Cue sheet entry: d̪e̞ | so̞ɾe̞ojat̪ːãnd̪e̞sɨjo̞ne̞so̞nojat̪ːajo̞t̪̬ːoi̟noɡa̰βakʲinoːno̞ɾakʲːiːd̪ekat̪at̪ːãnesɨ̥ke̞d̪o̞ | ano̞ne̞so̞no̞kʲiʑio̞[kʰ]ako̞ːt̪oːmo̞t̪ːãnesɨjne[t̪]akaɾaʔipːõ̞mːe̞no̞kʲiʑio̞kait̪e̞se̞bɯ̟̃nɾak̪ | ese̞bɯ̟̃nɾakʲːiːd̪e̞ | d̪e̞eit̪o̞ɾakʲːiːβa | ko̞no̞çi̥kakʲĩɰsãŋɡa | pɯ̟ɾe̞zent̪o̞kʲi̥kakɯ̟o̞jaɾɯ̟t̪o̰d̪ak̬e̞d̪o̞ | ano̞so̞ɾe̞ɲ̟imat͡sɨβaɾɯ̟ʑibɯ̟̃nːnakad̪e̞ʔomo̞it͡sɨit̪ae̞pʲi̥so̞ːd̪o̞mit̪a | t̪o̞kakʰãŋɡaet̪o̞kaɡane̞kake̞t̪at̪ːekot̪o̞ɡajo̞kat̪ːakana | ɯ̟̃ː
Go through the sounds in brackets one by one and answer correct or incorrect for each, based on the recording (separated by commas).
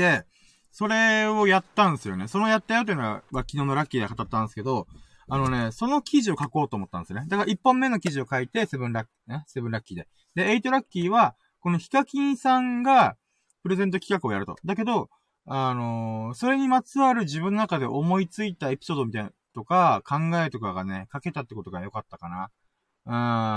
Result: incorrect, incorrect